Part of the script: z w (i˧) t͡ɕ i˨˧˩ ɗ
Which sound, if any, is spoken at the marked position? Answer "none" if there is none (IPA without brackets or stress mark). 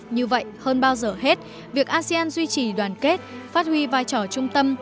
i˧